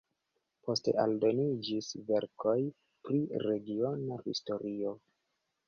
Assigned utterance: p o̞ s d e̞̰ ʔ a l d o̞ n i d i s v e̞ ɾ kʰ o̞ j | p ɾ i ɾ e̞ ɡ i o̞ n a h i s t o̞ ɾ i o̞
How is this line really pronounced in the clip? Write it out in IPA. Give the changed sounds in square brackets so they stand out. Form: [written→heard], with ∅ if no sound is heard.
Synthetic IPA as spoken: p o̞ s [d→t] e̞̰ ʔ a l d o̞ n i [d→d͡ʒ] i s v e̞ ɾ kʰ o̞ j | p ɾ i ɾ e̞ ɡ i o̞ n a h i s t o̞ ɾ i o̞